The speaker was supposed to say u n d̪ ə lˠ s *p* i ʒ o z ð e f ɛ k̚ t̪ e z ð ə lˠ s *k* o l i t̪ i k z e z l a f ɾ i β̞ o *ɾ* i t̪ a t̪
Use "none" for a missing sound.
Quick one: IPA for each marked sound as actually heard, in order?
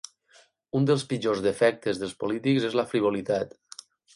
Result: p, p, l

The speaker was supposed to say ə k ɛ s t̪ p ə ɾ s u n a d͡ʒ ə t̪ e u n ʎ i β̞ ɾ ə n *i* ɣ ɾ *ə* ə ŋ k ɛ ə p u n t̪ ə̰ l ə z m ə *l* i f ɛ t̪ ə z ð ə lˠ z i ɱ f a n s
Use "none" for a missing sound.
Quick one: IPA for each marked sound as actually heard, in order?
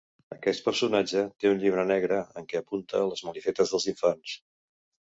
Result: ɛ, ə, l

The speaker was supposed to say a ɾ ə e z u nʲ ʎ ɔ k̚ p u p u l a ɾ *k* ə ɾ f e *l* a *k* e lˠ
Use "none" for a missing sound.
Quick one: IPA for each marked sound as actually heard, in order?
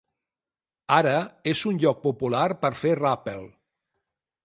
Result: p, r, p

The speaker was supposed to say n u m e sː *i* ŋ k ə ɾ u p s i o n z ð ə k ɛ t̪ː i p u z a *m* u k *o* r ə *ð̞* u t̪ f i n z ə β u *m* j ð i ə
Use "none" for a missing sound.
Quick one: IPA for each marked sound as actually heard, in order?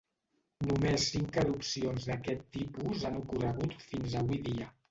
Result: i, n, u, ɣ̞, none

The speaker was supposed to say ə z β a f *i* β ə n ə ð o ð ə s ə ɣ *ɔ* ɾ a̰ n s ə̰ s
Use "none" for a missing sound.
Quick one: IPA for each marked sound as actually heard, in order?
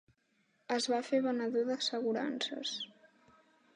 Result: e, u

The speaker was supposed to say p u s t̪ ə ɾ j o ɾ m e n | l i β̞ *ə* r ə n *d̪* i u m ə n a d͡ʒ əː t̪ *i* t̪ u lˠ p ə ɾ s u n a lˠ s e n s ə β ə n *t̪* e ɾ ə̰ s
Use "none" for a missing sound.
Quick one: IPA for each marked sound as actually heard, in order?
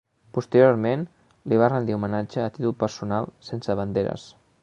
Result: a, d̪, i, d̪

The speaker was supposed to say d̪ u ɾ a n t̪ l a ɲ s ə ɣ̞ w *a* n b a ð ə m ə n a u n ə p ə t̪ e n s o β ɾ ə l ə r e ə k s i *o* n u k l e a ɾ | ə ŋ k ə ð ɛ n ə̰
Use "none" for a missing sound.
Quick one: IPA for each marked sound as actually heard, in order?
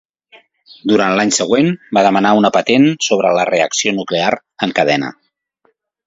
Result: e, o

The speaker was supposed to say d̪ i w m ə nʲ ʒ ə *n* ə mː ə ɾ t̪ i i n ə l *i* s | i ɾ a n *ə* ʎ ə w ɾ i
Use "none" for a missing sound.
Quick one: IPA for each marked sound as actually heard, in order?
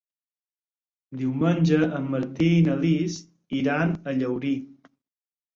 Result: none, i, ə

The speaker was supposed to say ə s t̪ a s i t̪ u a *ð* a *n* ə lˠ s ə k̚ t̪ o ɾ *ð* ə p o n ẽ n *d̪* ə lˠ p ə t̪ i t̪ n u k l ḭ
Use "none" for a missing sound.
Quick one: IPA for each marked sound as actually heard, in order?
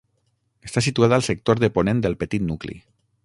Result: ð, none, ð, d̪

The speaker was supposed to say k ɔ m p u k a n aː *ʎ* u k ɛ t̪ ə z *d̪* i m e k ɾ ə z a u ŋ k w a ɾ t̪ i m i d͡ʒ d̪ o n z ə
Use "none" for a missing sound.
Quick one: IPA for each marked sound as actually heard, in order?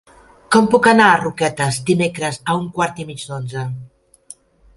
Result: r, d̪

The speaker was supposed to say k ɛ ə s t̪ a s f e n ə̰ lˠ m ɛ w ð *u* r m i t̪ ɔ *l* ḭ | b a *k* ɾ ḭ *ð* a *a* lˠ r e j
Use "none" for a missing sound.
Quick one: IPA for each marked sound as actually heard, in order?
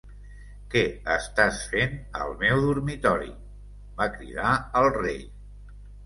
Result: u, ɾ, k, ð, ə

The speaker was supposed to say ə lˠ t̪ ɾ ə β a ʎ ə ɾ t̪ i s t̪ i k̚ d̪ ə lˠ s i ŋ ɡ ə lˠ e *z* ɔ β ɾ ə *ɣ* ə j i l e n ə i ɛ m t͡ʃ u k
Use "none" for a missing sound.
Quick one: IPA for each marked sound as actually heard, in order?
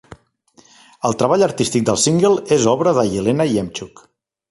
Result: z, ð

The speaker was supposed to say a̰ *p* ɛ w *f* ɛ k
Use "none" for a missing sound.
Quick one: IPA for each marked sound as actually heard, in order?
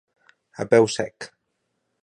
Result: b, s

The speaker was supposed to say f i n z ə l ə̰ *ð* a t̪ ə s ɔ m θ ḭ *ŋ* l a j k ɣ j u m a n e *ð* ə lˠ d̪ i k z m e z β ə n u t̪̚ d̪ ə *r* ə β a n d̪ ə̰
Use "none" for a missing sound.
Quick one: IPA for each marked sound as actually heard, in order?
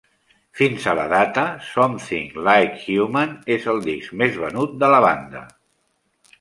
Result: ð, ŋ, z, l

